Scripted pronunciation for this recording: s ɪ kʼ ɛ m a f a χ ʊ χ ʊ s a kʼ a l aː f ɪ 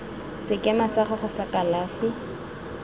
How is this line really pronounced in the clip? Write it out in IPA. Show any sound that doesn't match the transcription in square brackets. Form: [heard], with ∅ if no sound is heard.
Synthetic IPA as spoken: s ɪ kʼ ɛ m a [s] a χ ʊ χ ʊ s a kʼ a l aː f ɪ